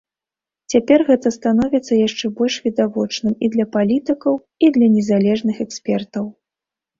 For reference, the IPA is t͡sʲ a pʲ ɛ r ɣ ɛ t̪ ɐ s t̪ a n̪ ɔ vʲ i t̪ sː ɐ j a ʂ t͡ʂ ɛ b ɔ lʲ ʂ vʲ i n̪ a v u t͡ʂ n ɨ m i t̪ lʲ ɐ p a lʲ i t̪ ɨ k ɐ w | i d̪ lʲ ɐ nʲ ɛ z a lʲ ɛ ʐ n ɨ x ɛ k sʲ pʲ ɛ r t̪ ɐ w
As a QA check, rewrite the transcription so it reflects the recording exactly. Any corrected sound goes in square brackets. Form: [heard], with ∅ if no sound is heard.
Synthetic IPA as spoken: t͡sʲ a pʲ ɛ r ɣ ɛ t̪ ɐ s t̪ a n̪ ɔ vʲ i t̪ sː ɐ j a ʂ t͡ʂ ɛ b ɔ lʲ ʂ vʲ i [d̪] a v [ɔ] t͡ʂ n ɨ m i [d̪] lʲ ɐ p a lʲ i t̪ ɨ k ɐ w | i d̪ lʲ ɐ nʲ ɛ z a lʲ ɛ ʐ n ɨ x ɛ k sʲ pʲ ɛ r t̪ ɐ w